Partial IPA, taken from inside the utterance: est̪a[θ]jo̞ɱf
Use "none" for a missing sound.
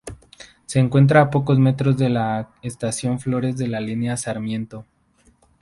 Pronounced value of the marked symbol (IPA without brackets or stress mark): s